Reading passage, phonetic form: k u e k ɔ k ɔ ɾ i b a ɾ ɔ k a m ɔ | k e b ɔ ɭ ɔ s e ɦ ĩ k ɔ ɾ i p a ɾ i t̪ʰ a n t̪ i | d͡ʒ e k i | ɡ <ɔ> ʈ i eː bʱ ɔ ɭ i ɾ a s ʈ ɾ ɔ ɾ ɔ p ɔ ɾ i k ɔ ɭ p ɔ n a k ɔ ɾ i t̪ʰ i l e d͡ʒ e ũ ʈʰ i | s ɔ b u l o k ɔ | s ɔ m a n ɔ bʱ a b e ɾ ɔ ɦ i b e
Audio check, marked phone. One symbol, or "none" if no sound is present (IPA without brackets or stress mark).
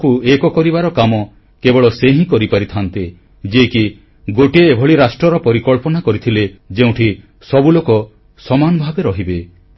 o